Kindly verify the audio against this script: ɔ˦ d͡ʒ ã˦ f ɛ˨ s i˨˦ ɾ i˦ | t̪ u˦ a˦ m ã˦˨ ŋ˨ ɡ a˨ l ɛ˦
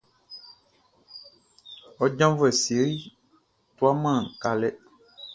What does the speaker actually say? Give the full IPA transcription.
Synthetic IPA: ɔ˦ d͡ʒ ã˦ v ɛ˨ s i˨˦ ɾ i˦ | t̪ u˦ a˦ m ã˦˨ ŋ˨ k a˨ l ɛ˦